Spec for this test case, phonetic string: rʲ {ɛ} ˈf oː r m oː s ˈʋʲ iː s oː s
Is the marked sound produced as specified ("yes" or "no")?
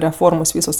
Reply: yes